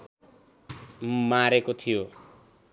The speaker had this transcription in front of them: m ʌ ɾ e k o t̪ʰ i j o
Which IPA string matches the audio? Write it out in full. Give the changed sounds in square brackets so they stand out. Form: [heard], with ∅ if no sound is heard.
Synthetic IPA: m [a] ɾ e k o t̪ʰ i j o